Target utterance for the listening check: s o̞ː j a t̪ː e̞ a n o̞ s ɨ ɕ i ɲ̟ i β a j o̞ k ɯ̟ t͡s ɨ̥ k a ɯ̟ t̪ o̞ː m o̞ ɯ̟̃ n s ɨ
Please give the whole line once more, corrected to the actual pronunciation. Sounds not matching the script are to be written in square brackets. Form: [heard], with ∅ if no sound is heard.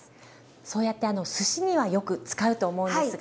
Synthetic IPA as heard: s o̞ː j a t̪ː e̞ a n o̞ s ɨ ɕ i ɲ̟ i β a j o̞ k ɯ̟ t͡s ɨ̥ k a ɯ̟ t̪ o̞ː m o̞ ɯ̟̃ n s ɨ